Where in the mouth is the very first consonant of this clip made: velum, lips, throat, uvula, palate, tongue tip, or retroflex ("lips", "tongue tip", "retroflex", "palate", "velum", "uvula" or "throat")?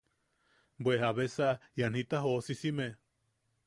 lips